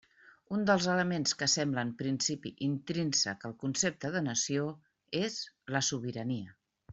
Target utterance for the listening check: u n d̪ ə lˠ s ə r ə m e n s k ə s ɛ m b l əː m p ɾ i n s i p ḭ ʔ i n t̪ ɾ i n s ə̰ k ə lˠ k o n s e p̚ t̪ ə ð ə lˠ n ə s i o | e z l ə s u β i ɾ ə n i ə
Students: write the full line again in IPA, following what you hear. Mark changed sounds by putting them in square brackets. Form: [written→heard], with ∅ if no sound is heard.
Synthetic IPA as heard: u n d̪ ə lˠ [s→z] ə [r→l] ə m e n s k ə s ɛ m b l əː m p ɾ i n s i p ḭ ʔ i n t̪ ɾ i n s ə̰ k ə lˠ k [o→u] n s e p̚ t̪ ə ð ə [lˠ→∅] n ə s i o | e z l ə s u β i ɾ ə n i ə